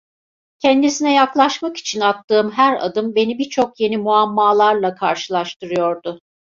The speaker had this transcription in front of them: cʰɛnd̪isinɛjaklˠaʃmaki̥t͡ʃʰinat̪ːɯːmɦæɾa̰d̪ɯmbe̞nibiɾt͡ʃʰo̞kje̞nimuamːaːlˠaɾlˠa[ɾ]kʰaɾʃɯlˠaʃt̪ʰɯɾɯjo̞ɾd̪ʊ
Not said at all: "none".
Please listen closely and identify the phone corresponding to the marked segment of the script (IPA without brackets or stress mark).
none